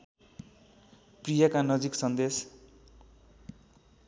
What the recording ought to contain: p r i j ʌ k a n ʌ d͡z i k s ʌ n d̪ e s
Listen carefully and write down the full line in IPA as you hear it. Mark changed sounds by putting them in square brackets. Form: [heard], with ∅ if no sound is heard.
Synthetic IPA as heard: p r i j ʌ k a n ʌ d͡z i k s ʌ n d̪ e s